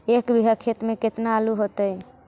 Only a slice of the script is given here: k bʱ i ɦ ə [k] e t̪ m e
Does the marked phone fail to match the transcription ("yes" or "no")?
yes